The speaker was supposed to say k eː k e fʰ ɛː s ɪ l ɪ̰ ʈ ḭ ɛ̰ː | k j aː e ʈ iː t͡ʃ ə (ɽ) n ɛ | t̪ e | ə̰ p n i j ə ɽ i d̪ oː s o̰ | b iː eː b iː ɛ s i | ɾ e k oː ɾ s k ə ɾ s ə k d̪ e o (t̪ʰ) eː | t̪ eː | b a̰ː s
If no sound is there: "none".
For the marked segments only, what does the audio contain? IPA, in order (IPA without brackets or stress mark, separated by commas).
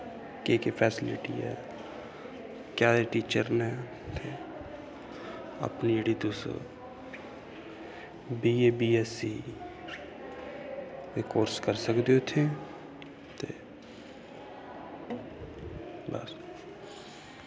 ɾ, t̪ʰ